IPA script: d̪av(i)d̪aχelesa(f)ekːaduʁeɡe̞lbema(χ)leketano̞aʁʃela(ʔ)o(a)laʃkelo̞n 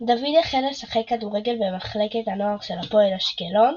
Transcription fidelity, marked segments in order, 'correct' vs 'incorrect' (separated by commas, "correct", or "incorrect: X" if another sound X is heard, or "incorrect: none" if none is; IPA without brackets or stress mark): correct, incorrect: χ, correct, incorrect: p, incorrect: e